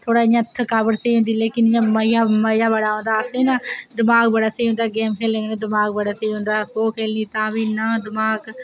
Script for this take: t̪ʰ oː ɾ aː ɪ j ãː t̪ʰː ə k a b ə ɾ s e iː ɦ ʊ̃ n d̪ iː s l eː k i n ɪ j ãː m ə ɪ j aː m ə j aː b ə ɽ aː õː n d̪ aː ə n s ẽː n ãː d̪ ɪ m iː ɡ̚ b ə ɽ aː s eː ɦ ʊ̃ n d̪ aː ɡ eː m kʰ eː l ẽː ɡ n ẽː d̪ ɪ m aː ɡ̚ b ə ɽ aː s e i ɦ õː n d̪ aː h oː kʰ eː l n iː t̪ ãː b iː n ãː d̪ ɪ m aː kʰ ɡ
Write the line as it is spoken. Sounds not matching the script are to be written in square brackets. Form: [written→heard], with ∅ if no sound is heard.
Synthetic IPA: t̪ʰ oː [ɾ→ɽ] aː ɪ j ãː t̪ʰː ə k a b ə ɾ s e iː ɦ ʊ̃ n d̪ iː [s→∅] l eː k [i→ɪ] n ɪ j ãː m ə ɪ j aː m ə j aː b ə ɽ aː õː n d̪ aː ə [n→∅] s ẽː n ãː d̪ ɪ m [iː→aː] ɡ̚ b ə ɽ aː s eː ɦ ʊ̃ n d̪ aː ɡ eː m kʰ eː l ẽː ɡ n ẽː d̪ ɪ m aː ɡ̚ b ə ɽ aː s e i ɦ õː n d̪ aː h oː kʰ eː l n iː t̪ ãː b iː n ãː d̪ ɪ m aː [kʰ→∅] ɡ